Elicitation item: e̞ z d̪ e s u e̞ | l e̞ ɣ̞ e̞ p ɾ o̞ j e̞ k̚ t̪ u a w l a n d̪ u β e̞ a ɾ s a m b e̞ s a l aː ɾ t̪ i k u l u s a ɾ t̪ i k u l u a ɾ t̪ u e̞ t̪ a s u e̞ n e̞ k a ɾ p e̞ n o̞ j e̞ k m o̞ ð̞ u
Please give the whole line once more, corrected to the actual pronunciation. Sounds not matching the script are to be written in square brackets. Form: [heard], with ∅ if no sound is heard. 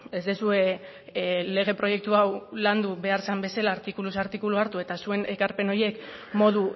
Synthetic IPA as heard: e̞ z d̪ e s u e̞ | l e̞ ɣ̞ e̞ p ɾ o̞ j e̞ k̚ t̪ u a w l a n d̪ u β e̞ a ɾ s a m b e̞ s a l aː ɾ t̪ i k u l u s a ɾ t̪ i k u l u a ɾ t̪ u e̞ t̪ a s u e̞ n e̞ k a ɾ p e̞ n o̞ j e̞ k m o̞ ð̞ u